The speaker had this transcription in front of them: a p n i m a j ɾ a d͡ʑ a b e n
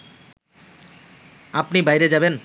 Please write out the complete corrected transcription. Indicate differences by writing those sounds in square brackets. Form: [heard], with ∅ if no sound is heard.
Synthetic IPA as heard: a p n i [b] a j ɾ [e] d͡ʑ a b e n